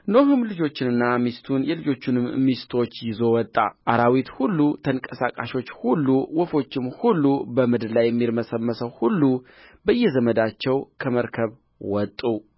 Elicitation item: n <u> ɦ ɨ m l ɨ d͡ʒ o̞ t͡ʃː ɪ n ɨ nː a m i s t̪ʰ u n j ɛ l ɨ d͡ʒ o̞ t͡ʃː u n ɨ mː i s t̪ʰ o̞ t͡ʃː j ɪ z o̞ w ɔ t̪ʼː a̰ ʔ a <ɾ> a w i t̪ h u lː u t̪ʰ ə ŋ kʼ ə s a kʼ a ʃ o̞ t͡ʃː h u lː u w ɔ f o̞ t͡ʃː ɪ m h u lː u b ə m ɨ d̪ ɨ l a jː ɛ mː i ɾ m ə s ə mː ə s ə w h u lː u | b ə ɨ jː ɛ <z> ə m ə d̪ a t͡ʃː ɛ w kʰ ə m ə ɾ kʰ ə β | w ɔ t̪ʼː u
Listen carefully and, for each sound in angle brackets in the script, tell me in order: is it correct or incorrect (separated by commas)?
incorrect, correct, correct